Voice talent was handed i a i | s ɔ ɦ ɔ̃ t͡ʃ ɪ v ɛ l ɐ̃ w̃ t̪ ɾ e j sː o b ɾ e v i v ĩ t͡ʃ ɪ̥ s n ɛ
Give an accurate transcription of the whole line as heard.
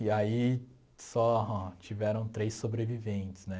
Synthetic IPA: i a i | s ɔ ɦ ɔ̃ t͡ʃ i v ɛ ɾ ɐ̃ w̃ t̪ ɾ e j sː o b ɾ e v i v ẽ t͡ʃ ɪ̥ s n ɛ